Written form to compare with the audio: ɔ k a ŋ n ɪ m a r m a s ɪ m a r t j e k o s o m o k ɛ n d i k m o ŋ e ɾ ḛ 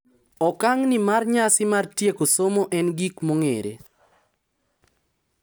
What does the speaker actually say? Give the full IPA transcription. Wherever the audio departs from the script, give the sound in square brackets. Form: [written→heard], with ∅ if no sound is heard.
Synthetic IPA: ɔ k a ŋ n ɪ m a r [m→ɲ] a s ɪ m a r t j e k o s o m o [k→ʔ] ɛ n [d→ɡ] i k m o ŋ e ɾ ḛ